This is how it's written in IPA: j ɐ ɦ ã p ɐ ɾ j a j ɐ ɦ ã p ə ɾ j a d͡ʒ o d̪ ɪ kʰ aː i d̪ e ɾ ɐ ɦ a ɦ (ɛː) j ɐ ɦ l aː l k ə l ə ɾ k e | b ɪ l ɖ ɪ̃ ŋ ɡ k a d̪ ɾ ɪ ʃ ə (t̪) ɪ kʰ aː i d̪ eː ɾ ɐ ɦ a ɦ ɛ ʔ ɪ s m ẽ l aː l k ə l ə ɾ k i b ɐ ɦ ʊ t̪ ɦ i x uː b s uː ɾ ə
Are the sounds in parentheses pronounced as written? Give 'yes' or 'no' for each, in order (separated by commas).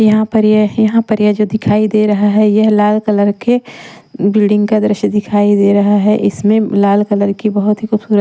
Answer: no, no